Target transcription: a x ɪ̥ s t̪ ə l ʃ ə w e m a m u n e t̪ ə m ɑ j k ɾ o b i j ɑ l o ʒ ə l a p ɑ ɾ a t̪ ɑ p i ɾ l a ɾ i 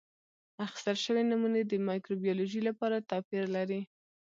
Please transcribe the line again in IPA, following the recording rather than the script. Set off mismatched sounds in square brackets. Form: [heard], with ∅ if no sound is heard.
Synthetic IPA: a x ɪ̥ s t̪ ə l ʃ ə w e [n] a m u n e [d̪] ə m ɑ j k ɾ o b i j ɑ l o ʒ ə l a p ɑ ɾ a t̪ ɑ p i ɾ l a ɾ i